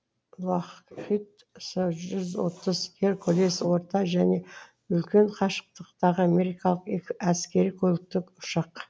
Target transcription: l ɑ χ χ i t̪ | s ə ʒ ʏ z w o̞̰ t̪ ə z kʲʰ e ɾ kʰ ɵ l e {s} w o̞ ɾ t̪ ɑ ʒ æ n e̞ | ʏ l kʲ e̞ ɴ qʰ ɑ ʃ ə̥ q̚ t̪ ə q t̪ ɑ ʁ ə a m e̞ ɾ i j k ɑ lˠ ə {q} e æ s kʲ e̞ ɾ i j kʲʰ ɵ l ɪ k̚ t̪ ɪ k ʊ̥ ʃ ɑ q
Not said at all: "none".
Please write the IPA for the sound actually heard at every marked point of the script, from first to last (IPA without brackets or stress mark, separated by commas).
s, q